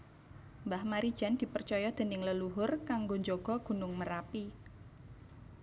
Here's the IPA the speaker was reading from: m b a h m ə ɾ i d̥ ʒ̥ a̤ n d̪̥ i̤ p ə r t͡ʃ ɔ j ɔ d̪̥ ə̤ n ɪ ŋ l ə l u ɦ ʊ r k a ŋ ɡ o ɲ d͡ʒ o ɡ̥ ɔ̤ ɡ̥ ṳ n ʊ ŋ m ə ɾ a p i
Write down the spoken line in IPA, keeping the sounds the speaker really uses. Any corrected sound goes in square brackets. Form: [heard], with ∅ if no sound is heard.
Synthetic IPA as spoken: m b a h m [a] ɾ i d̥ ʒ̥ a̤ n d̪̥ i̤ p ə r t͡ʃ ɔ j ɔ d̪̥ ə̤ n ɪ ŋ l ə l u ɦ ʊ r k a ŋ ɡ o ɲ d͡ʒ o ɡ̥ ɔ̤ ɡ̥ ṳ n ʊ ŋ m ə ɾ a p i